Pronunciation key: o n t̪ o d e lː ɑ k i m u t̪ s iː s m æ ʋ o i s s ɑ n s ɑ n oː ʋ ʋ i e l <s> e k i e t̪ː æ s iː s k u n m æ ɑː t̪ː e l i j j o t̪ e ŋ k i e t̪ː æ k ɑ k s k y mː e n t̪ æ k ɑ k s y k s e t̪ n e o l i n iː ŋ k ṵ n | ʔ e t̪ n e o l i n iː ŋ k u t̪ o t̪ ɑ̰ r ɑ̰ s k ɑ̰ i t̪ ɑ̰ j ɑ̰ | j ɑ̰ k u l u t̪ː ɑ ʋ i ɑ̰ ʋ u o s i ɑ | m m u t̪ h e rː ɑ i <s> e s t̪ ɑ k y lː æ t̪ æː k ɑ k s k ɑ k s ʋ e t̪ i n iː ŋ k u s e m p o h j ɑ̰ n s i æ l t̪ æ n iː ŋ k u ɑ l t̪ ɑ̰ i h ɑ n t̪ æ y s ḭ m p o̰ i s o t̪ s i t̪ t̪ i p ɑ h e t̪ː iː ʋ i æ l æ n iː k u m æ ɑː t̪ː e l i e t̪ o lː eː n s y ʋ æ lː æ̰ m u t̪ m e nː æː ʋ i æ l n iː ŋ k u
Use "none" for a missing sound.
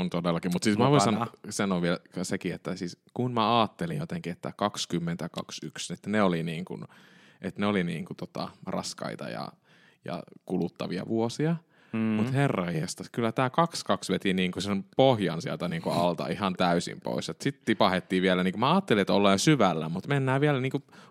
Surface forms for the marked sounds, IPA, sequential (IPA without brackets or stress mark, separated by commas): s, h